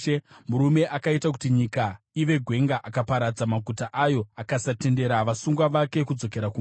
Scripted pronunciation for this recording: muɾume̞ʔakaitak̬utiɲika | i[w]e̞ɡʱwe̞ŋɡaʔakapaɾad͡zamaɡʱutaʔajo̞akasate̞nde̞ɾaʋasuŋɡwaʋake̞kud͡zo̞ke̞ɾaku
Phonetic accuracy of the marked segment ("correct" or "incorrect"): incorrect